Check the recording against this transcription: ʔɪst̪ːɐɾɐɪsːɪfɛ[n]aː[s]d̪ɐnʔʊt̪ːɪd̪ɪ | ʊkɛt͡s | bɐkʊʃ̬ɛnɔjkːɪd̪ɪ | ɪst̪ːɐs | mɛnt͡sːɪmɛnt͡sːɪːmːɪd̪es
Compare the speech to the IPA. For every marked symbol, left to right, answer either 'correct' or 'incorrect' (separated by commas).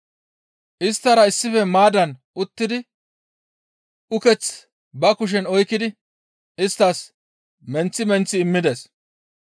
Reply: incorrect, incorrect